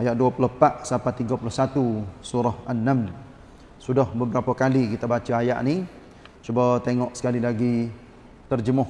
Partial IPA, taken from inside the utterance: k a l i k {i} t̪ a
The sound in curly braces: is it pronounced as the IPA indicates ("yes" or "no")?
yes